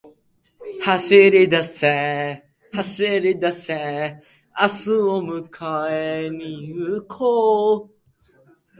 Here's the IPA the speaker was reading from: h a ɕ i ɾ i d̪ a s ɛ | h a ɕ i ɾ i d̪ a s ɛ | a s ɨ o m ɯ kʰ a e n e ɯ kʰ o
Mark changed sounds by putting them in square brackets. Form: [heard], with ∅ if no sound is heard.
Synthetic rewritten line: h a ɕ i ɾ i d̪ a s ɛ | h a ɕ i ɾ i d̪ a s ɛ | a s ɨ o m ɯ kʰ a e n [i] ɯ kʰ o